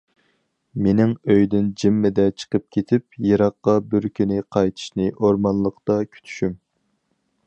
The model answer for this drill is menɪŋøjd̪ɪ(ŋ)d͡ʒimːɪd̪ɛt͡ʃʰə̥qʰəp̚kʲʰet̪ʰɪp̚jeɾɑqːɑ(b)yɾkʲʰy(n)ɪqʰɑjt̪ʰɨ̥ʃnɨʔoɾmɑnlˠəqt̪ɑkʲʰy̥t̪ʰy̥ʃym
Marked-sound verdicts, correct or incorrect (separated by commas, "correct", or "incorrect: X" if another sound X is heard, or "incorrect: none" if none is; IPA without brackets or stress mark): incorrect: n, correct, correct